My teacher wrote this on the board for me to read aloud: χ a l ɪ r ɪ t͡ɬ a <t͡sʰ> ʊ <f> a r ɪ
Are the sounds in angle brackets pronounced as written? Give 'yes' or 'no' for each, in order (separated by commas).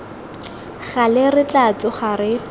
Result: no, no